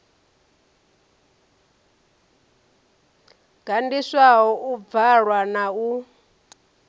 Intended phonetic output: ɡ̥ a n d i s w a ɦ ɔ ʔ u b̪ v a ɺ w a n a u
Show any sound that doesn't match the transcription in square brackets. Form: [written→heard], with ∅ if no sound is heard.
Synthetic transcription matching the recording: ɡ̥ a n d i s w a ɦ ɔ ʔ u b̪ v a ɺ w a n a u